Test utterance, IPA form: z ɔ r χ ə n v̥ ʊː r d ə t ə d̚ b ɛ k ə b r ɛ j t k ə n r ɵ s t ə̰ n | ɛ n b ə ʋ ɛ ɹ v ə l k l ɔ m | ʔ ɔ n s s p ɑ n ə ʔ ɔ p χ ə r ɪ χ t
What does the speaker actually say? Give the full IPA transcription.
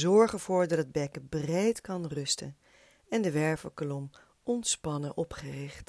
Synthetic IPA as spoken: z ɔ ɹ χ ə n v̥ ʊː ɹ d ɑ t ə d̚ b ɛ k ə b r e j t k ɑ n r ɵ s t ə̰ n | ɛ n d ə ʋ ɛ ɹ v ə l k l ɔ m | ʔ ɔ n t s p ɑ n ə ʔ ɔ p χ ə r ɪ χ t